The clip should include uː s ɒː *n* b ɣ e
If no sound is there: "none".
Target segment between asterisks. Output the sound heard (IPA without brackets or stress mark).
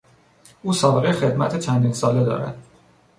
none